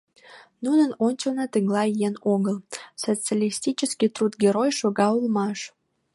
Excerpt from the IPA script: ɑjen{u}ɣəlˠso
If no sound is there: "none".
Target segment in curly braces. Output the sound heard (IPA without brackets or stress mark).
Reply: o